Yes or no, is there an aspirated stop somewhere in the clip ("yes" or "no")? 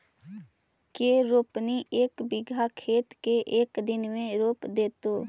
yes